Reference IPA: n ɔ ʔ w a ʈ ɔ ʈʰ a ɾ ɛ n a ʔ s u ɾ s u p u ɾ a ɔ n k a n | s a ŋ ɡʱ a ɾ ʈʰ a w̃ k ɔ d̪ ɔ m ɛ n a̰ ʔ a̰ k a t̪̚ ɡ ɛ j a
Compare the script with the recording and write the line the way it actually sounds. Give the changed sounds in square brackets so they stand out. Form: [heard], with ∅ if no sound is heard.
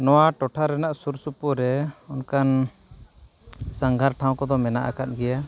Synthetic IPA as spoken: n ɔ [∅] w a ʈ ɔ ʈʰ a ɾ ɛ n a ʔ s u ɾ s u p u ɾ [ɛ] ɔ n k a n | s a ŋ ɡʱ a ɾ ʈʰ a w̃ k ɔ d̪ ɔ m ɛ n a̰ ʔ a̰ k a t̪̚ ɡ ɛ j a